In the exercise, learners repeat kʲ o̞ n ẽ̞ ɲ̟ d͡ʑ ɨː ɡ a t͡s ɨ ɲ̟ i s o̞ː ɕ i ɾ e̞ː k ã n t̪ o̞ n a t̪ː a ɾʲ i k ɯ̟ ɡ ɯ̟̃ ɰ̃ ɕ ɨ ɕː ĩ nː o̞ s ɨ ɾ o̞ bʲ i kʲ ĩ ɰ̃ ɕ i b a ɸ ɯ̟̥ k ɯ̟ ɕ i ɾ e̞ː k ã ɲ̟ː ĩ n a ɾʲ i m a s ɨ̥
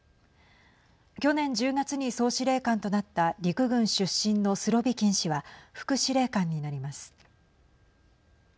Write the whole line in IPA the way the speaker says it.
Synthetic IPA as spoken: kʲ o̞ n ẽ̞ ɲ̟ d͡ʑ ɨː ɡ a t͡s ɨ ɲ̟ i s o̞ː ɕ i ɾ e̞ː k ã n t̪ o̞ n a t̪ː a ɾʲ i k ɯ̟ ɡ ɯ̟̃ ɰ̃ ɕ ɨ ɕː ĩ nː o̞ s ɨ ɾ o̞ bʲ i kʲ ĩ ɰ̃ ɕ i β a ɸ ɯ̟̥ k ɯ̟ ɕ i ɾ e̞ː k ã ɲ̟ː i n a ɾʲ i m a s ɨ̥